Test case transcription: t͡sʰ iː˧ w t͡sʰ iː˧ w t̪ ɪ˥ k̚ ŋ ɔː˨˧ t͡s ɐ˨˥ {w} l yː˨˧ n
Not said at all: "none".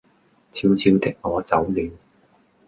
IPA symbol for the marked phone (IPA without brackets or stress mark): w